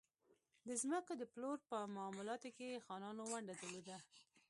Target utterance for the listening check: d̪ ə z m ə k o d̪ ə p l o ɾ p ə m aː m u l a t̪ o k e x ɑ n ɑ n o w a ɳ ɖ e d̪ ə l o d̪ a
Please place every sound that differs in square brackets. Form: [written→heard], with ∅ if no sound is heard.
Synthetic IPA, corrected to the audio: d̪ ə z m ə k o d̪ ə p l o ɾ p ə m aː m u l [a→ɑ] t̪ o k e x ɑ n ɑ n o w a ɳ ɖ [e→a] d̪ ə l o d̪ a